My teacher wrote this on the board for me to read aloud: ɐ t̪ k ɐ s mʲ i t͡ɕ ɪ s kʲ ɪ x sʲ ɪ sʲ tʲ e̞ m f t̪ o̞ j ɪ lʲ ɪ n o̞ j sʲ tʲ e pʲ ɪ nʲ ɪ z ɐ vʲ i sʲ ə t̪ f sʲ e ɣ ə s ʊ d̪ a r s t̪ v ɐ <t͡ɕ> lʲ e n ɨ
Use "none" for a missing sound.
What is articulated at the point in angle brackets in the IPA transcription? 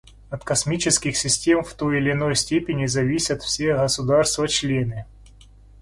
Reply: t͡ɕ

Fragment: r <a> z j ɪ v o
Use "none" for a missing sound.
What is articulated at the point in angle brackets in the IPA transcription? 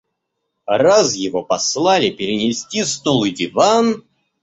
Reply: a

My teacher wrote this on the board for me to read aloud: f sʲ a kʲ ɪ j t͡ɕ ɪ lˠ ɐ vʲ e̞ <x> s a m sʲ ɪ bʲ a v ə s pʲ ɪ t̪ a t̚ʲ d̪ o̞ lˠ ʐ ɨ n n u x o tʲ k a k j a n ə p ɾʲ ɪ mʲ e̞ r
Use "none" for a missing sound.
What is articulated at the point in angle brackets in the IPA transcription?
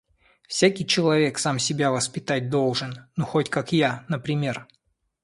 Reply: k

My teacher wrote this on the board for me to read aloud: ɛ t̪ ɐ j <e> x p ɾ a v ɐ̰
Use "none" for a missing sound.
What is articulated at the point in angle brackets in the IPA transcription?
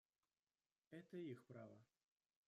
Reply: i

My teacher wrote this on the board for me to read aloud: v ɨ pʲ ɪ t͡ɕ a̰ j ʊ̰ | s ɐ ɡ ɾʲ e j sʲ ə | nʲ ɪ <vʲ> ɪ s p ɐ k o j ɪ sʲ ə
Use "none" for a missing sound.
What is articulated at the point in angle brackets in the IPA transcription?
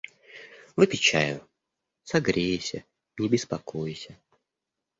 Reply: bʲ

